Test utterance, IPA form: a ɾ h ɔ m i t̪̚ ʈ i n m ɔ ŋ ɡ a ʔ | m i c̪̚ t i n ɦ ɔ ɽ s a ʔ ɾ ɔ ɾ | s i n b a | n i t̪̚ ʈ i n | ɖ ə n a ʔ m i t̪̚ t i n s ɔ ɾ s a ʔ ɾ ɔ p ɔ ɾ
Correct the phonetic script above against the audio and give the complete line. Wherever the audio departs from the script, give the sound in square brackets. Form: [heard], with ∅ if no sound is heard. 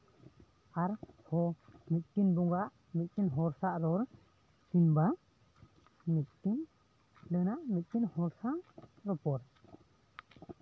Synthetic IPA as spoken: a ɾ h ɔ m i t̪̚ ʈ i n [b] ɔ ŋ ɡ a ʔ | m i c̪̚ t i n ɦ ɔ [ɾ] s a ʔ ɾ ɔ ɾ | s i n b a | [m] i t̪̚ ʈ i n | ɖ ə n a ʔ m i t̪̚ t i n [h] ɔ ɾ s a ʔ ɾ ɔ p ɔ ɾ

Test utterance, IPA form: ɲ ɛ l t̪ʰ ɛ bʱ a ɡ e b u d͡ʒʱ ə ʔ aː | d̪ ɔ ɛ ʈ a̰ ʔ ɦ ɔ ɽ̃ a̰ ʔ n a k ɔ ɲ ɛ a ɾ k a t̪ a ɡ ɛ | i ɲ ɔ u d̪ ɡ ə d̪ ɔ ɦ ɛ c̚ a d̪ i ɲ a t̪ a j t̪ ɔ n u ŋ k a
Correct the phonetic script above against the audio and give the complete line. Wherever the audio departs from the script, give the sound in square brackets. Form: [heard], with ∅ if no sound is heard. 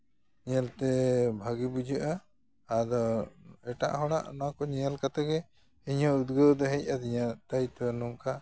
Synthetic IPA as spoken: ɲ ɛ l [t̪] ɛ bʱ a ɡ [i] b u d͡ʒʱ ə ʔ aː | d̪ ɔ ɛ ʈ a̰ ʔ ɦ ɔ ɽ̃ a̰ ʔ n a k ɔ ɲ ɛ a [l] k a t̪ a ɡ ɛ | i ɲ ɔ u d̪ ɡ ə d̪ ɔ ɦ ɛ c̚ a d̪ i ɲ a t̪ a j t̪ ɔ n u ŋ k a

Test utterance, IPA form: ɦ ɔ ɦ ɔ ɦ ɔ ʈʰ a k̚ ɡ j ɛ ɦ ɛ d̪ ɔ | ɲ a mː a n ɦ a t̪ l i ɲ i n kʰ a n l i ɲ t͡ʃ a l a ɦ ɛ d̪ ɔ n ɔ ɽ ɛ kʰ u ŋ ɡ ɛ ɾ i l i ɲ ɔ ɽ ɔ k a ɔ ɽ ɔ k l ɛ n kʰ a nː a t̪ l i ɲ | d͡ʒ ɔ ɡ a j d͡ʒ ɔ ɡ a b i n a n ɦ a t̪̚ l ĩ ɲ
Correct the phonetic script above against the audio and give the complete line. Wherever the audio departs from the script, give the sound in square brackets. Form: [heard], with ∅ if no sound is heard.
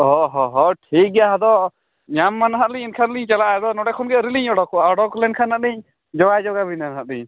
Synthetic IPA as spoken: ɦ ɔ ɦ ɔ ɦ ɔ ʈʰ [i] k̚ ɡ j [a] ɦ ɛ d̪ ɔ | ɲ a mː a n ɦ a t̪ l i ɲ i n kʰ a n l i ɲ t͡ʃ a l a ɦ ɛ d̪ ɔ n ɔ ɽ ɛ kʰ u [n] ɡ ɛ ɾ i l i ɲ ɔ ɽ ɔ k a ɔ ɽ ɔ k l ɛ n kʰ a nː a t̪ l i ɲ | d͡ʒ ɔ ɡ a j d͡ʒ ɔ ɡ a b i n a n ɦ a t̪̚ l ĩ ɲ

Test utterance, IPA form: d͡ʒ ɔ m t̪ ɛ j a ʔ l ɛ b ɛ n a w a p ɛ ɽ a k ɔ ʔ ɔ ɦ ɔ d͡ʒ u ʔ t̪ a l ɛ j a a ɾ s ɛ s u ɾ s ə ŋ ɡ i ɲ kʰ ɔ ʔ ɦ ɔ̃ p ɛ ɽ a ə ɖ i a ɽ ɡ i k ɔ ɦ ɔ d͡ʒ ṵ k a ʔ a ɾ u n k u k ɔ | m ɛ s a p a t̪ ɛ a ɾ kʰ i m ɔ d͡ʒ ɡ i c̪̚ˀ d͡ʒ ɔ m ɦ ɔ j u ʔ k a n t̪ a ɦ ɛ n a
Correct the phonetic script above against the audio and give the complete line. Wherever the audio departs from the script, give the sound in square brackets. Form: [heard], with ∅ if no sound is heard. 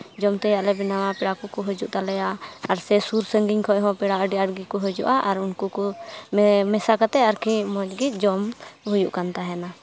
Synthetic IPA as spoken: d͡ʒ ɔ m t̪ ɛ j a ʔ l ɛ b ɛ n a w a p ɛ ɽ a k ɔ [k] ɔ ɦ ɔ d͡ʒ u ʔ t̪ a l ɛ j a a ɾ s ɛ s u ɾ s ə ŋ ɡ i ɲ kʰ ɔ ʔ ɦ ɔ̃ p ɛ ɽ a ə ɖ i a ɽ ɡ i k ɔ ɦ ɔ d͡ʒ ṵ [ʔ] a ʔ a ɾ u n k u k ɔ | m ɛ s a [k] a t̪ ɛ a ɾ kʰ i m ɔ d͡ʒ ɡ i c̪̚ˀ d͡ʒ ɔ m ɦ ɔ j u ʔ k a n t̪ a ɦ ɛ n a

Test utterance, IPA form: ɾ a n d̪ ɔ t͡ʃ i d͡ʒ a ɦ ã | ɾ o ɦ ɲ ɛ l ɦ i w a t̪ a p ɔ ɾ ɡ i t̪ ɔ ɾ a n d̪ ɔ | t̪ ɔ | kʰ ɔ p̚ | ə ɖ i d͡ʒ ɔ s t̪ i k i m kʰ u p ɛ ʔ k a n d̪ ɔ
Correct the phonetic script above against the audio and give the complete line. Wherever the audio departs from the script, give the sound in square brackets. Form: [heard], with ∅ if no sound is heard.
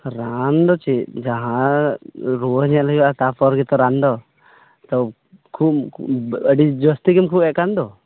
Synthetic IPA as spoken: ɾ a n d̪ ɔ t͡ʃ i d͡ʒ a ɦ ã | ɾ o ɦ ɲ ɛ l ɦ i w a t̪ a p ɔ ɾ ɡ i t̪ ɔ ɾ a n d̪ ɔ | t̪ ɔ | kʰ [u] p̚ | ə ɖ i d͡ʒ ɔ s t̪ i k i m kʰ u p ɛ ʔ k a n d̪ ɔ

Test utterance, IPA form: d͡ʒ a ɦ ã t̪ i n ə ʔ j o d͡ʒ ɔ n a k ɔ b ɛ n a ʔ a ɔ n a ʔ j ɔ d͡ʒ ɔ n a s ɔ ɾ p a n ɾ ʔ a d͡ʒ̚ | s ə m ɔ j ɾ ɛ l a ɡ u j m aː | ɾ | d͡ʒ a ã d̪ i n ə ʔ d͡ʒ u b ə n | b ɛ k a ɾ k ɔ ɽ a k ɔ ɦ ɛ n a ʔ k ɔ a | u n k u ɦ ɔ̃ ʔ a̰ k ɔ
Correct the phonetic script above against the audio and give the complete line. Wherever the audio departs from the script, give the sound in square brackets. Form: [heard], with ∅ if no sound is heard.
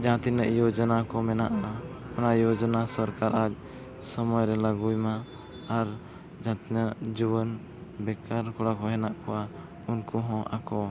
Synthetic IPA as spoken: d͡ʒ a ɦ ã t̪ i n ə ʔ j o d͡ʒ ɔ n a k ɔ [m] ɛ n a ʔ a ɔ n a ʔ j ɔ d͡ʒ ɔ n a s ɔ ɾ [k] a [∅] ɾ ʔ a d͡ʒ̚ | s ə m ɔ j ɾ ɛ l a ɡ u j m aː | ɾ | d͡ʒ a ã [t̪] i n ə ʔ d͡ʒ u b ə n | b ɛ k a ɾ k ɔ ɽ a k ɔ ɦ ɛ n a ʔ k ɔ a | u n k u ɦ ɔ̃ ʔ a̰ k ɔ

